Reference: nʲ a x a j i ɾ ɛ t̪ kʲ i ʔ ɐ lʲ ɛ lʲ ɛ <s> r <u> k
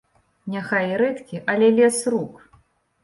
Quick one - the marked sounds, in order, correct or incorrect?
correct, correct

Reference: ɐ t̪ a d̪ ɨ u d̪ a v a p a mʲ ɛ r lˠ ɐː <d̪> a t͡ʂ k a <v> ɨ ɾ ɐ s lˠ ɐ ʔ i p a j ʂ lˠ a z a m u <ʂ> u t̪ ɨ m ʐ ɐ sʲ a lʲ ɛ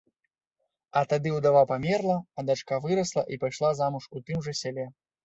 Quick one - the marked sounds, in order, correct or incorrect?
correct, correct, correct

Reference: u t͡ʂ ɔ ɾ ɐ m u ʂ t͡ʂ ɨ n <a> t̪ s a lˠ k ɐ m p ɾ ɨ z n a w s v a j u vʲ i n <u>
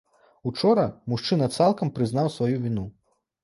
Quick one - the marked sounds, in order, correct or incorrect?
incorrect: ɐ, correct

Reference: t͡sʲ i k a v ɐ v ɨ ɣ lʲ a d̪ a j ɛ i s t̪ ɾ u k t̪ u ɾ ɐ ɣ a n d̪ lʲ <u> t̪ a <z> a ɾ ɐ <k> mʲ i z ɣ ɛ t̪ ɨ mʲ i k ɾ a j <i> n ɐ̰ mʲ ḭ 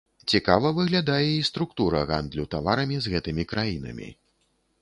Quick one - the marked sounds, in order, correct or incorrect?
correct, incorrect: v, incorrect: none, correct

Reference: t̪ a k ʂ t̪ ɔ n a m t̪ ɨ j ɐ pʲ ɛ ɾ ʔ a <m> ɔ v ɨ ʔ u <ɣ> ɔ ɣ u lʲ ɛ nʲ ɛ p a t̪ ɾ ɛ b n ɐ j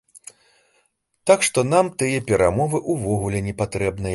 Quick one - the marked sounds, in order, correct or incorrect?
correct, incorrect: v

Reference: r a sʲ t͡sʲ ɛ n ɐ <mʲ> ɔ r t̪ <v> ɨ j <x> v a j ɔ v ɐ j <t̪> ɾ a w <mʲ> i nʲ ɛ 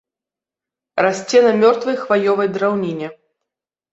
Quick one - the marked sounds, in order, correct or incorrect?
correct, correct, correct, incorrect: d̪, incorrect: nʲ

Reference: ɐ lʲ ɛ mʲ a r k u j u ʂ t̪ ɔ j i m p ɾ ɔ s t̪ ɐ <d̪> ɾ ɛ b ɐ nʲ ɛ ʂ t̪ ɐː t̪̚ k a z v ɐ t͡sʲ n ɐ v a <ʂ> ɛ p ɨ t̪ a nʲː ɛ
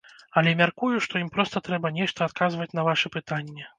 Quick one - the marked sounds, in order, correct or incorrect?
incorrect: t̪, correct

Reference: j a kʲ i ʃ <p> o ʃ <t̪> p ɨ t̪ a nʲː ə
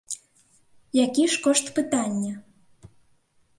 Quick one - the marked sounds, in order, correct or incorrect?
incorrect: k, correct

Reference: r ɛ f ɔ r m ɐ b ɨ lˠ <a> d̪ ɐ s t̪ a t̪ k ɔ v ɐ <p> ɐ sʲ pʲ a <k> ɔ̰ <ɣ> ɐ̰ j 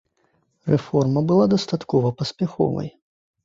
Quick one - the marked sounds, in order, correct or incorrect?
correct, correct, incorrect: x, incorrect: v

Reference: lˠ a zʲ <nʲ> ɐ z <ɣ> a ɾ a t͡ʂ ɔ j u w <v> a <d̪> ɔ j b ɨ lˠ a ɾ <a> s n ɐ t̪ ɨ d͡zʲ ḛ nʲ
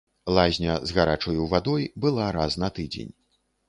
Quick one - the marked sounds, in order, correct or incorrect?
correct, correct, correct, correct, correct

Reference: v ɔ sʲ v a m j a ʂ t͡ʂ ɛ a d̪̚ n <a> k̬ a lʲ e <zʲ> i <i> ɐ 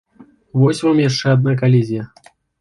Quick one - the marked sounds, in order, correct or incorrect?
correct, correct, incorrect: j

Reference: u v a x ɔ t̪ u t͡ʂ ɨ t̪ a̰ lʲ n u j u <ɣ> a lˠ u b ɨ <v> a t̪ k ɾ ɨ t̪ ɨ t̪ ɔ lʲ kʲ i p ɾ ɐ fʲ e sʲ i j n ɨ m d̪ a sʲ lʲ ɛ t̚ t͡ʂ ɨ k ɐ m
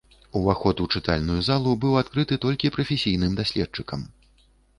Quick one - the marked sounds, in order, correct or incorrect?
incorrect: z, incorrect: w

